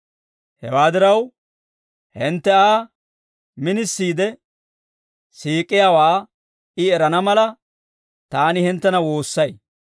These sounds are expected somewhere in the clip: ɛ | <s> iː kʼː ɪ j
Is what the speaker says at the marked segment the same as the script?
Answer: yes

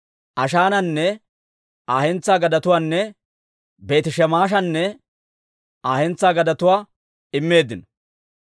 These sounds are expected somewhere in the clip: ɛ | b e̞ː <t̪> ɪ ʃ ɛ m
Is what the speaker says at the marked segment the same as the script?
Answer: yes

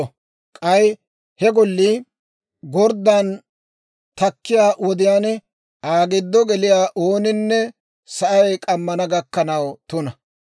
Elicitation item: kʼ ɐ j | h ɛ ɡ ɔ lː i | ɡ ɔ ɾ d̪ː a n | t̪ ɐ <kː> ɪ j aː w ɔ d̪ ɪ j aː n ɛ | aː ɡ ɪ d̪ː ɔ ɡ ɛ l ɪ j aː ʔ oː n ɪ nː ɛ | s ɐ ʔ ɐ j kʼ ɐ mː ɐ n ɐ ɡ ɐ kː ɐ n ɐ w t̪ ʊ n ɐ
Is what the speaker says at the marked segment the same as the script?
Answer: yes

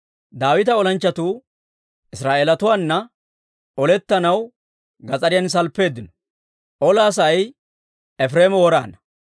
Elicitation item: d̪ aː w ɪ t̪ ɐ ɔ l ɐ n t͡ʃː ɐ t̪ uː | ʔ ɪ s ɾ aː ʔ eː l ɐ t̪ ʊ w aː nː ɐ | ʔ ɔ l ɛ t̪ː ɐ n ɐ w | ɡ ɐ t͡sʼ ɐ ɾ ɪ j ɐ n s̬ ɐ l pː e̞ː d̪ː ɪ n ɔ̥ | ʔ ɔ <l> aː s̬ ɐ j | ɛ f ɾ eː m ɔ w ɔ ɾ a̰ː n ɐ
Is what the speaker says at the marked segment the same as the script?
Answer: yes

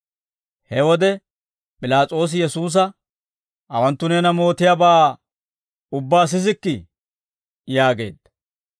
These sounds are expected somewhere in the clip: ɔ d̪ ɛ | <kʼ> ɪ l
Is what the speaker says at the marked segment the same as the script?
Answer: no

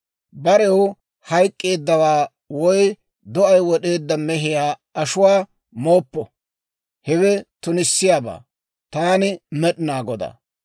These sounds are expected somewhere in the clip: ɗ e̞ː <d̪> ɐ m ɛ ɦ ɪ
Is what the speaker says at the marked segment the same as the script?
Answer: no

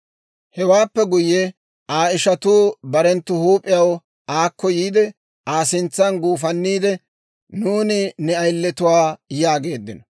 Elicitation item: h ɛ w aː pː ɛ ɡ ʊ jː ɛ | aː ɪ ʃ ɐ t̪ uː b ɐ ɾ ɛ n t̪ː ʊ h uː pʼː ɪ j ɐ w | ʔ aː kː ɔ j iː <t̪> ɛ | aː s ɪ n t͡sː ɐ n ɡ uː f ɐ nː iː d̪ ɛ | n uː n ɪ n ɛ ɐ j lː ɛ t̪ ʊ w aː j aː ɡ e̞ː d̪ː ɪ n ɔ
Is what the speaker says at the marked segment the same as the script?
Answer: no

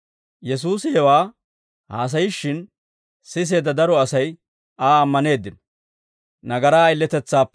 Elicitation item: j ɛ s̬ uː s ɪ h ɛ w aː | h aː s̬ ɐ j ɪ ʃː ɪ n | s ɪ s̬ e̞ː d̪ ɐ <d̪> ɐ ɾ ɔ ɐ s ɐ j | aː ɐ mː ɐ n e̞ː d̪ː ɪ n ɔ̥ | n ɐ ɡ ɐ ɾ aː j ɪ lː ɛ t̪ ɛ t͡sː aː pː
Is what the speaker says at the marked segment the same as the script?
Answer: yes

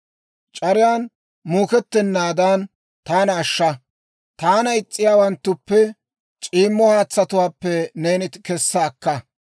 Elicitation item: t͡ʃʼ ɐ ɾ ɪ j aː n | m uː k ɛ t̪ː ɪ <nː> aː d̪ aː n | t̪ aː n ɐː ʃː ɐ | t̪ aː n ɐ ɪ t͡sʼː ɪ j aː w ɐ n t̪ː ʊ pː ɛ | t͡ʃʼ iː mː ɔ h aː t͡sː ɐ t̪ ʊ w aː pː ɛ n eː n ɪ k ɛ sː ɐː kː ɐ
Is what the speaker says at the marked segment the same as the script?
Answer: yes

